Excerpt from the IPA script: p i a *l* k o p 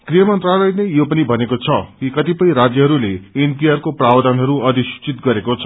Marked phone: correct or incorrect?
incorrect